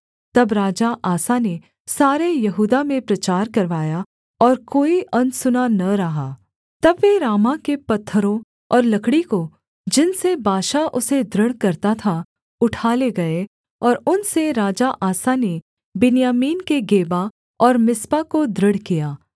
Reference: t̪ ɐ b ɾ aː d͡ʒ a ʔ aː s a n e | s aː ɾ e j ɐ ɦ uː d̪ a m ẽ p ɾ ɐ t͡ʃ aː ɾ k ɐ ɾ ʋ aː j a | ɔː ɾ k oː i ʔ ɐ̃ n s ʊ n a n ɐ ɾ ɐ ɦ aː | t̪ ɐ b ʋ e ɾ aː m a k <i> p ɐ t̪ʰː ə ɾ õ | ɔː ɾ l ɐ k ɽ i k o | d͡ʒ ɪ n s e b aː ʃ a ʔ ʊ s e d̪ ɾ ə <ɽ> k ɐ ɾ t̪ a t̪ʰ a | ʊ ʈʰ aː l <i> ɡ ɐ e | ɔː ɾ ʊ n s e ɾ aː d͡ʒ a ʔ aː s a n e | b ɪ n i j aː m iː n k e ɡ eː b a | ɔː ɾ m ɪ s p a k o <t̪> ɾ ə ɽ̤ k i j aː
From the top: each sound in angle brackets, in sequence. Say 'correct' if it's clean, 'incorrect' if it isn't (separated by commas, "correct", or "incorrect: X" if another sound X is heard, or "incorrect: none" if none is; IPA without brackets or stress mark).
incorrect: e, correct, incorrect: e, incorrect: d̪